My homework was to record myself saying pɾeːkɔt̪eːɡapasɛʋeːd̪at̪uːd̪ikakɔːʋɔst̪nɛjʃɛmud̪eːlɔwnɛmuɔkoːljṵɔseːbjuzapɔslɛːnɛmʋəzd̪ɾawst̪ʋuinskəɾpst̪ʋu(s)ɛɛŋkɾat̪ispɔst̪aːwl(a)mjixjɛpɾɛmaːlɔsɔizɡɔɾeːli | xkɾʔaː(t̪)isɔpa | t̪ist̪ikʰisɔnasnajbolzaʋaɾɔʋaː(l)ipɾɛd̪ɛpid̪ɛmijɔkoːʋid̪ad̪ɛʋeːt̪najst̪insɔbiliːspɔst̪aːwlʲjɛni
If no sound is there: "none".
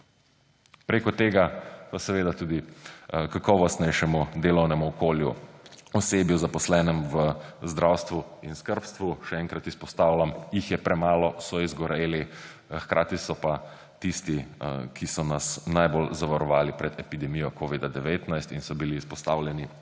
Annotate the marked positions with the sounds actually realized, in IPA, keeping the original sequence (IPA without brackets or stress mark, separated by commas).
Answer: ʃ, a, t̪, l